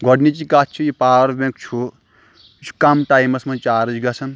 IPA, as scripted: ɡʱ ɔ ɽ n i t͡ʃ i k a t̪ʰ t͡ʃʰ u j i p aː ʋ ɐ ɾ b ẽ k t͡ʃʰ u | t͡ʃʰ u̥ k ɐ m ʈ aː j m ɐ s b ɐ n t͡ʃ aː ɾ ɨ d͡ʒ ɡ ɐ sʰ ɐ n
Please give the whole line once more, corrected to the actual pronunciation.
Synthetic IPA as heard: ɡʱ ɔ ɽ n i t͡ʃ i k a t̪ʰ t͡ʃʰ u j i p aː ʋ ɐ ɾ b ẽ k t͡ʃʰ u | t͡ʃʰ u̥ k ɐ m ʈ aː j m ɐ s m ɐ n t͡ʃ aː ɾ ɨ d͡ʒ ɡ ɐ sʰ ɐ n